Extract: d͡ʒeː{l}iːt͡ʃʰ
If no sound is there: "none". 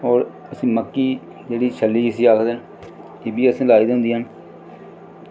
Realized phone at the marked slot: ɽ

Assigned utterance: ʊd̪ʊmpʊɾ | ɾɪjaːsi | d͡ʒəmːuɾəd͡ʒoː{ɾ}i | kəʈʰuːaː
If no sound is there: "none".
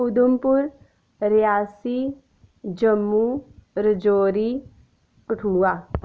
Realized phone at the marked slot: ɾ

